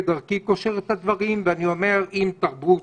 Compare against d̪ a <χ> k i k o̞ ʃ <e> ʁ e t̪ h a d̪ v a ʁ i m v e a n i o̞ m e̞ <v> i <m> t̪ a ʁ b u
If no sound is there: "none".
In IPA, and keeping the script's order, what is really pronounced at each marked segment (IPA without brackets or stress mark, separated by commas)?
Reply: ʁ, e, ʁ, m